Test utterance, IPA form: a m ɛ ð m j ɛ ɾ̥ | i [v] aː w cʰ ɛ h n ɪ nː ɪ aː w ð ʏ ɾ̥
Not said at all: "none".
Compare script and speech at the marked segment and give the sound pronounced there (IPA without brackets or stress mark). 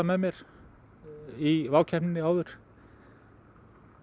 v